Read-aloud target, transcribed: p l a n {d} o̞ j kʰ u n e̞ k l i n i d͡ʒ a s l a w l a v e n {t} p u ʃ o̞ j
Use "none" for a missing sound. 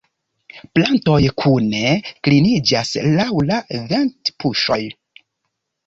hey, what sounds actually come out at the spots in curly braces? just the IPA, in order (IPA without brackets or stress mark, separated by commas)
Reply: t, t